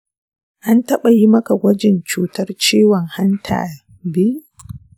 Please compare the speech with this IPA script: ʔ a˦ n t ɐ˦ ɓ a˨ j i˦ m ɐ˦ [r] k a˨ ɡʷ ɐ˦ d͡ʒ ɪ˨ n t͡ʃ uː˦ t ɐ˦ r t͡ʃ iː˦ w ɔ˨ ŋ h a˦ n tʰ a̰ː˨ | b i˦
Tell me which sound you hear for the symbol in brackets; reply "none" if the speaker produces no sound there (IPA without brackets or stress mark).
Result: none